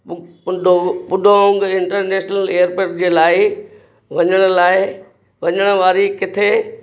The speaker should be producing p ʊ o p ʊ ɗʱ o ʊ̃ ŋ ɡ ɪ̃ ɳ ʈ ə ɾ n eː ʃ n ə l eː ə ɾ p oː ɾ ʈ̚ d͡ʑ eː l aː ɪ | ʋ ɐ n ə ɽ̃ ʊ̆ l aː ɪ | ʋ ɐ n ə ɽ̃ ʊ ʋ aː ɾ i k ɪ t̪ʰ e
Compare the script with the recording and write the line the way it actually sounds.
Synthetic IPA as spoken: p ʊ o p ʊ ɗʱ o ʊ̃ ŋ ɡ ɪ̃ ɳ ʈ ə ɾ n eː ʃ n ə l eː ə ɾ p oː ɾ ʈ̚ d͡ʑ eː l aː ɪ | ʋ ɐ ɲ ə ɽ̃ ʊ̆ l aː ɪ | ʋ ɐ ɲ ə ɽ̃ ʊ ʋ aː ɾ i k ɪ t̪ʰ e